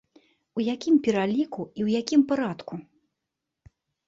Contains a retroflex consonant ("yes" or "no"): no